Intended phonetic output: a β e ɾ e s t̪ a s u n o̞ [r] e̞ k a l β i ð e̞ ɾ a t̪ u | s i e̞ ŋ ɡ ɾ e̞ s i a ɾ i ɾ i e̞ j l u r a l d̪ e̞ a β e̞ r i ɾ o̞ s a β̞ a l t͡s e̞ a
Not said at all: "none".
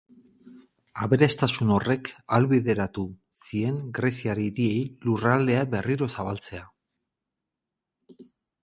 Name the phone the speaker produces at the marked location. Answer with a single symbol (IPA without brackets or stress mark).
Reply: r